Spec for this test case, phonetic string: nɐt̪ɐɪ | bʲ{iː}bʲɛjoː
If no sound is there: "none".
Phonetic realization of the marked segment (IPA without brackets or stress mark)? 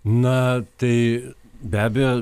æː